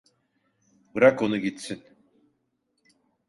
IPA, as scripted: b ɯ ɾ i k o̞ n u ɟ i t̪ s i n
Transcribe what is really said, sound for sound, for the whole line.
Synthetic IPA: b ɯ ɾ a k o̞ n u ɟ i t̪ s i n